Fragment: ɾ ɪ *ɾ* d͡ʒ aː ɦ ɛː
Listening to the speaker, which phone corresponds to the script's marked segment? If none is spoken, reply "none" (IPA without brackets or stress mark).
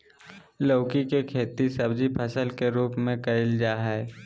l